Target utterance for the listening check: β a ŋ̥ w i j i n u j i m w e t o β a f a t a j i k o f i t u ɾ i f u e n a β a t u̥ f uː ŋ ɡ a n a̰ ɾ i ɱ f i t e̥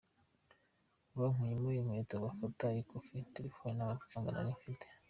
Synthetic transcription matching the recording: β a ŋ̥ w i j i m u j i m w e t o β a f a t a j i k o f i t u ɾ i f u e n a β a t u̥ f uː ŋ ɡ a n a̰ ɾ i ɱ f i t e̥